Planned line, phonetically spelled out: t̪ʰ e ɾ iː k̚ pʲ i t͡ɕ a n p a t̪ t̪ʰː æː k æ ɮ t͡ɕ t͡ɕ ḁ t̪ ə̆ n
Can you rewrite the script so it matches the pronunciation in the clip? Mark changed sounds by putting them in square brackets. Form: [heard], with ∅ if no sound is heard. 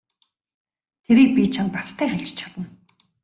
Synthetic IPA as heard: t̪ʰ e ɾ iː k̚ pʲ i [t͡ɕʰ] a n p a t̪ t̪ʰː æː [x] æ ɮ t͡ɕ [t͡ɕʰ] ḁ t̪ ə̆ n